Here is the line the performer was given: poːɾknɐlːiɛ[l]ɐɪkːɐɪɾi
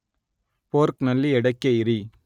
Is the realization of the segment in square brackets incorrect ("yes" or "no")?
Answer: yes